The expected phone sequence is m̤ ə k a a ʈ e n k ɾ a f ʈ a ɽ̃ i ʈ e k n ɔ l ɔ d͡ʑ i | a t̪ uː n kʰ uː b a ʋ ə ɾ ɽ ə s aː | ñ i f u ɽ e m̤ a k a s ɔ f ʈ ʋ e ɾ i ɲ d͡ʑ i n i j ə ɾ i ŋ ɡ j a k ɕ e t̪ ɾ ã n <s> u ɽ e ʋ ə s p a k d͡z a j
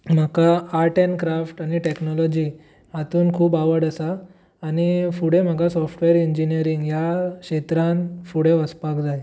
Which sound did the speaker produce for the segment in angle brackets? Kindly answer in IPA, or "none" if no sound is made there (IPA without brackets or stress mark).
f